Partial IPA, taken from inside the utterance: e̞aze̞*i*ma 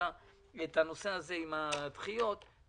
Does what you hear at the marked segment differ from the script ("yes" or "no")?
no